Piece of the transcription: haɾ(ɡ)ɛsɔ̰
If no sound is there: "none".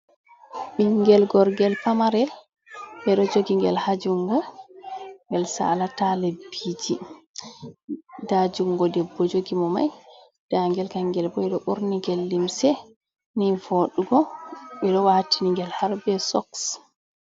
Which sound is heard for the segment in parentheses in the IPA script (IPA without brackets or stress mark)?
b